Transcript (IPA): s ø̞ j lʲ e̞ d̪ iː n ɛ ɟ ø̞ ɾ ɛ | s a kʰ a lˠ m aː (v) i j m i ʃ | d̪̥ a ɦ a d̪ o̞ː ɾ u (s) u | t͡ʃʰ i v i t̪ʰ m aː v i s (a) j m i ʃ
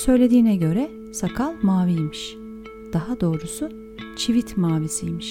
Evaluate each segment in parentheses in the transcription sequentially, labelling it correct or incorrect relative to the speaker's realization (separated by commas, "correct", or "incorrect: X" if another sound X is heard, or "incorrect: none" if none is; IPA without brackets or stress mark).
correct, correct, incorrect: i